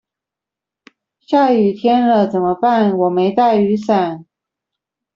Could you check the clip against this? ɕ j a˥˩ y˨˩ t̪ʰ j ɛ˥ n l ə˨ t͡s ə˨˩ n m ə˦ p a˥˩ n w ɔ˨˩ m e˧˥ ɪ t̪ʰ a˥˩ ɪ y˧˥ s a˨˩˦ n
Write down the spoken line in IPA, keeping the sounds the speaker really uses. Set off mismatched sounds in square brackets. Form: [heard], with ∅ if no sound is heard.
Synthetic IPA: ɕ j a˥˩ y˨˩ t̪ʰ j ɛ˥ n l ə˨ t͡s ə˨˩ n m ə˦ p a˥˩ n w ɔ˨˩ m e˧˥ ɪ [t̪] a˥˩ ɪ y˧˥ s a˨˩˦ n

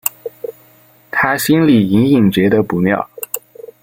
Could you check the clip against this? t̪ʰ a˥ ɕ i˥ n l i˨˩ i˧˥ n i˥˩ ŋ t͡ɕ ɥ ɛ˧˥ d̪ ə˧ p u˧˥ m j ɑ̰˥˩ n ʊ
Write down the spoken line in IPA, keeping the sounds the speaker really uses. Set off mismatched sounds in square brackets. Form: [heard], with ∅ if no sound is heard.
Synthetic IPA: t̪ʰ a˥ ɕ i˥ n l i˨˩ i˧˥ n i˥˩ ŋ t͡ɕ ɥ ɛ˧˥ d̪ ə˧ p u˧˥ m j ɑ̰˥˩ [∅] ʊ

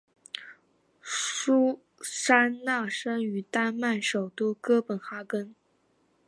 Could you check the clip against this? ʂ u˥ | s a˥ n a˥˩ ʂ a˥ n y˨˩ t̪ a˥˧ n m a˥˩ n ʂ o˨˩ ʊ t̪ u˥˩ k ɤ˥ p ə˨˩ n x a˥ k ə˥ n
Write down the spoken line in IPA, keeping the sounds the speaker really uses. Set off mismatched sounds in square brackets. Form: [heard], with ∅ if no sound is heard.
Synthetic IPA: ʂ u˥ | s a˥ n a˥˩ ʂ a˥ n y˨˩ t̪ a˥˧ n m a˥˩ n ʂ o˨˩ ʊ t̪ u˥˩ k ɤ˥ p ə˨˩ n x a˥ k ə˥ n

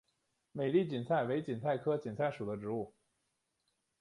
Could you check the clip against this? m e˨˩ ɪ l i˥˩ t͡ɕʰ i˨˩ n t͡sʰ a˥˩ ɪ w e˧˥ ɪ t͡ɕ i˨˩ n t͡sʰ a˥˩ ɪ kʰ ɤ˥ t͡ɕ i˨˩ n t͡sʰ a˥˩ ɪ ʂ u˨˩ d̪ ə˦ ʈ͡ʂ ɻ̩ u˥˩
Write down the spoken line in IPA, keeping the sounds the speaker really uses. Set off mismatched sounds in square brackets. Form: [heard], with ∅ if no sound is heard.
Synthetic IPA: m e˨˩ ɪ l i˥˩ [t͡ɕ] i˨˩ n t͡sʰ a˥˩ ɪ w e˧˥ ɪ t͡ɕ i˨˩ n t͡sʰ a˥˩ ɪ kʰ ɤ˥ t͡ɕ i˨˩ n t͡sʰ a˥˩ ɪ ʂ u˨˩ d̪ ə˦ ʈ͡ʂ ɻ̩ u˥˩

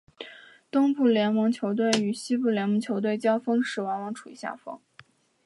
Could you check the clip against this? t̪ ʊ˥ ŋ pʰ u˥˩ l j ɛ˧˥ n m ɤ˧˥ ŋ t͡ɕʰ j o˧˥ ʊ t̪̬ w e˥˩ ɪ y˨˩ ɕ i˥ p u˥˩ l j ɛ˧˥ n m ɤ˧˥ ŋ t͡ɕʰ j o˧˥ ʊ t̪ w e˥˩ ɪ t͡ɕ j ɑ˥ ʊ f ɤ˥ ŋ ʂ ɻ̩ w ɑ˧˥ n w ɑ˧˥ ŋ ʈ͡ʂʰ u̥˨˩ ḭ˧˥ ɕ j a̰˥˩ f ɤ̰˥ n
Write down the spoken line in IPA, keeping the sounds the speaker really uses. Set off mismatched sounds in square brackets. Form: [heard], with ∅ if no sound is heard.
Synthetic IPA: t̪ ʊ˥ ŋ [p] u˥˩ l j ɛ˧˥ n m ɤ˧˥ ŋ t͡ɕʰ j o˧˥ ʊ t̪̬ w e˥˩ ɪ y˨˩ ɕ i˥ p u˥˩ l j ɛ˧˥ n m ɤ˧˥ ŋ t͡ɕʰ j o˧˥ ʊ t̪ w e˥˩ ɪ t͡ɕ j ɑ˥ ʊ f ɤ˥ ŋ ʂ ɻ̩ w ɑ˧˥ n w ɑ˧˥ ŋ ʈ͡ʂʰ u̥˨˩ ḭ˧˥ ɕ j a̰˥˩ f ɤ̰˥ [ŋ]

